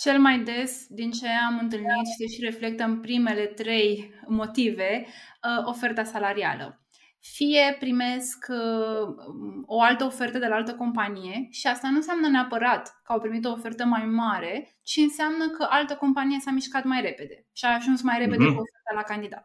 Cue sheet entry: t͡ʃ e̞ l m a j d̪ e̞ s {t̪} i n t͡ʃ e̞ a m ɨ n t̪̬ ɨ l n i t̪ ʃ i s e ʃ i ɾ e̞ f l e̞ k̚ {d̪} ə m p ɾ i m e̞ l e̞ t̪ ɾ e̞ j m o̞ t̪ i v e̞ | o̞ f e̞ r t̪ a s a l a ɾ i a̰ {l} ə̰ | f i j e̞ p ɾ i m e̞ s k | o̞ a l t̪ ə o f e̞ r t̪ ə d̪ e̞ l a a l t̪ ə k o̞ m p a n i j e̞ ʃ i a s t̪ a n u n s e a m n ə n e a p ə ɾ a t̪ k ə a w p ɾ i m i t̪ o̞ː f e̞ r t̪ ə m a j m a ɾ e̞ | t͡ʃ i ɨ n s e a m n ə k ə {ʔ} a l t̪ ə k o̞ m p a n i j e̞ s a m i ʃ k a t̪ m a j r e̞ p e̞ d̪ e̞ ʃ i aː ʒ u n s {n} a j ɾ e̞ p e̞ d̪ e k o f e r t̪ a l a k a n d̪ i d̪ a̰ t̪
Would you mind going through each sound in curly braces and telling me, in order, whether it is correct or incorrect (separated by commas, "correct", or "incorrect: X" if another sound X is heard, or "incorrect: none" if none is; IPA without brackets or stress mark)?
incorrect: d̪, incorrect: t̪, correct, correct, incorrect: m